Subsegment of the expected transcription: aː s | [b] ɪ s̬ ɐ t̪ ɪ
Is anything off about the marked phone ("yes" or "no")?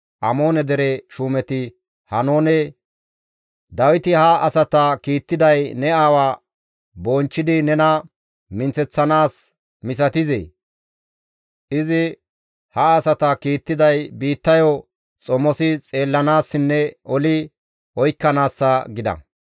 yes